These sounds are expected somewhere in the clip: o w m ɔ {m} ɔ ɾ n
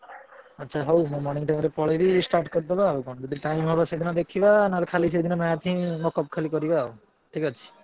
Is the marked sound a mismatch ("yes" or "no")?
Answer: no